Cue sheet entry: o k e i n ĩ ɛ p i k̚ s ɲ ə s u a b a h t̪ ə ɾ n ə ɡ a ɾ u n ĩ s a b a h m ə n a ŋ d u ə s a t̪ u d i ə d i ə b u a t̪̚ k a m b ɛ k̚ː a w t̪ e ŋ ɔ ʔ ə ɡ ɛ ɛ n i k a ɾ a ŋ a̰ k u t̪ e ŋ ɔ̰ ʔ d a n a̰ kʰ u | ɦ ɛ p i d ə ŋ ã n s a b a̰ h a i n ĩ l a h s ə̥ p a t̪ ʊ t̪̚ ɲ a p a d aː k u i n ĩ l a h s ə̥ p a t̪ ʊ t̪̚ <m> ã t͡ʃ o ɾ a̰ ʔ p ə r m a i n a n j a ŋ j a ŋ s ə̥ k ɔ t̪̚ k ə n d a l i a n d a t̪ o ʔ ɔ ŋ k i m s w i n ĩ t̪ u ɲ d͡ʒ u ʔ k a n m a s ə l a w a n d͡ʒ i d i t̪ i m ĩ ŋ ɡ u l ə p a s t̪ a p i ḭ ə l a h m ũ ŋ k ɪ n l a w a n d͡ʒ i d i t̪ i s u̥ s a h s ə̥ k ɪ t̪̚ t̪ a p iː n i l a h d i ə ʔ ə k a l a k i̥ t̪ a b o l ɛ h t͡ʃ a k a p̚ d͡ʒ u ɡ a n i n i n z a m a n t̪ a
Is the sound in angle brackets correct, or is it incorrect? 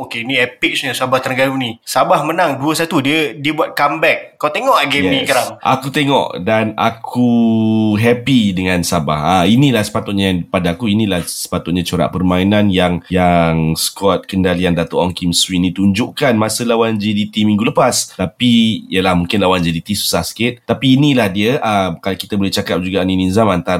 incorrect